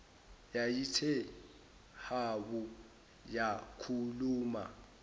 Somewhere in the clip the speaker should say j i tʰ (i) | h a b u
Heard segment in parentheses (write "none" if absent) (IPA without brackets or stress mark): ɛ